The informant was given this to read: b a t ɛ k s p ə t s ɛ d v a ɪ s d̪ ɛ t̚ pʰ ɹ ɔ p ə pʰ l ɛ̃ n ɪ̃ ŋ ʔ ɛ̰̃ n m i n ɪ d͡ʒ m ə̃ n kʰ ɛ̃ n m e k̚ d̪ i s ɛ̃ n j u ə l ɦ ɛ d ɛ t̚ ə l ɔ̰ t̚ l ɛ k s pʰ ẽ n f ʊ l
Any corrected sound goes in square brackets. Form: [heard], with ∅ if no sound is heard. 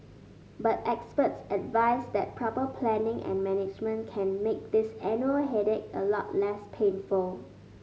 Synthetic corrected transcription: b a t ɛ k s p ə t s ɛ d v a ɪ s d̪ ɛ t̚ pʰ ɹ ɔ p ə pʰ l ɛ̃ n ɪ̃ ŋ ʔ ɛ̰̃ n m [ɛ] n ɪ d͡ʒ m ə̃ n kʰ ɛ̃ n m e k̚ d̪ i s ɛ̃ n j u ə l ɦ ɛ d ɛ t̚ ə l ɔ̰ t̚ l ɛ [∅] s pʰ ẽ n f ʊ l